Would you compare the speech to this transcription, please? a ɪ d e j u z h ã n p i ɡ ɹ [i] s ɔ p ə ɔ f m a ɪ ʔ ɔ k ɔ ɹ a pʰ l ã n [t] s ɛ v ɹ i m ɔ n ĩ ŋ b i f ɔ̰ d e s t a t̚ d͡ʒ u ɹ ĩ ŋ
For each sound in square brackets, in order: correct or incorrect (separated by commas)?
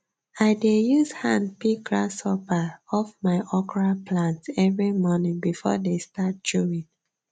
incorrect, correct